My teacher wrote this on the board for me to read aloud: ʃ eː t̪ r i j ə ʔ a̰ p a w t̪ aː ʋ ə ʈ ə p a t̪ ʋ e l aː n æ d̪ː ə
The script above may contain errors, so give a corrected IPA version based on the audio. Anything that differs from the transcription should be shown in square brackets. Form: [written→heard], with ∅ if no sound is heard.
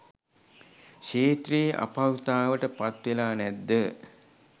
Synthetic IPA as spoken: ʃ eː t̪ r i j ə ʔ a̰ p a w t̪ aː ʋ ə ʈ ə p a t̪ ʋ e l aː n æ d̪ː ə